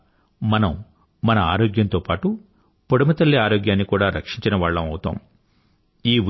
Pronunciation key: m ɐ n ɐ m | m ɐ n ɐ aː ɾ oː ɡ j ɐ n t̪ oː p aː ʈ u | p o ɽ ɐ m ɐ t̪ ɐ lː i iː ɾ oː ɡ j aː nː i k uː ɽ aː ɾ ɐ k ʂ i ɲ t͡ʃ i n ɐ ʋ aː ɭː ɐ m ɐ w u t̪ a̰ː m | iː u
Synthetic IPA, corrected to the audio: m ɐ n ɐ m | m ɐ n ɐ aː ɾ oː ɡ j ɐ n t̪ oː p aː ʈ u | p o ɽ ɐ m ɐ t̪ ɐ lː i aː ɾ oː ɡ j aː nː i k uː ɽ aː ɾ ɐ k ʂ i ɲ t͡ʃ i n ɐ ʋ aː ɭː ɐ m ɐ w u t̪ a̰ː m | iː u